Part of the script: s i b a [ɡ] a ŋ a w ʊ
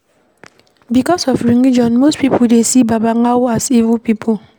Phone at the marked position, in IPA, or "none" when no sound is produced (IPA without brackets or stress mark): b